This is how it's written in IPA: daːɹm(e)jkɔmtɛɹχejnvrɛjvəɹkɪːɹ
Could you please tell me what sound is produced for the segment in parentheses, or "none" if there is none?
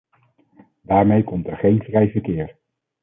e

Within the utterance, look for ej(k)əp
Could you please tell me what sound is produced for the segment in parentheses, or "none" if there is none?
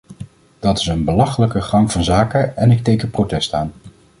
k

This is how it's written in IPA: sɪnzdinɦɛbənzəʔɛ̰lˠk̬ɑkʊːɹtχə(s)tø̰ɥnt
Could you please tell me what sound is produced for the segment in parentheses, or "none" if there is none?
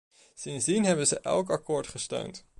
s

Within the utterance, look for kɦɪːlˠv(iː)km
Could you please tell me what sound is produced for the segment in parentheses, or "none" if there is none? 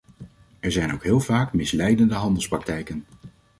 aː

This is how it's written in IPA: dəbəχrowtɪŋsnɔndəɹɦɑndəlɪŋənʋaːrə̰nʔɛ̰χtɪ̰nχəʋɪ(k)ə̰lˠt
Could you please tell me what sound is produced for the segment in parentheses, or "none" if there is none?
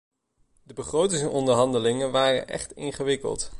k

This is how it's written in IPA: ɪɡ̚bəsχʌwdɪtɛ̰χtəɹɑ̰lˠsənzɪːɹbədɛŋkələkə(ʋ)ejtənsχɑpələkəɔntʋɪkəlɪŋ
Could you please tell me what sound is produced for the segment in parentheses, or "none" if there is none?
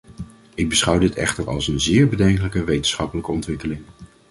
ʋ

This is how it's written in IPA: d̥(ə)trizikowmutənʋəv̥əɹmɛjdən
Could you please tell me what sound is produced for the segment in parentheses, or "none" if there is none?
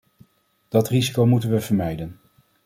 ɑ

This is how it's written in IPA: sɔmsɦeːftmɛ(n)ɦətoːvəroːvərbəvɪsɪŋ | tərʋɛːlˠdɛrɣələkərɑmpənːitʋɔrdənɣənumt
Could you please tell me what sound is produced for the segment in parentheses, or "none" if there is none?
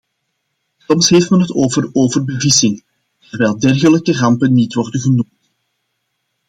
n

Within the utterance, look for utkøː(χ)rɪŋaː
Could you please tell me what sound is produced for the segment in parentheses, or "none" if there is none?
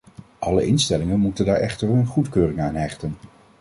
none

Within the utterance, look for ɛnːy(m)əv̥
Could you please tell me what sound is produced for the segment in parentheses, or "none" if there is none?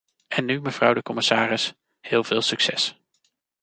m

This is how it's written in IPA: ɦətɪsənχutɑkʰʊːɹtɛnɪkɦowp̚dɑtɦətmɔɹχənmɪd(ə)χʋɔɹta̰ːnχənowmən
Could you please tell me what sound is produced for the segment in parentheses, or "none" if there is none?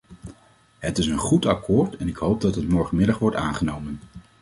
ɑ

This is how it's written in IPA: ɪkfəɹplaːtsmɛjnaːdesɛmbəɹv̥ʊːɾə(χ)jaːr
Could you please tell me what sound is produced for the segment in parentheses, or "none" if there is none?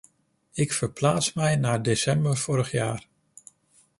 χ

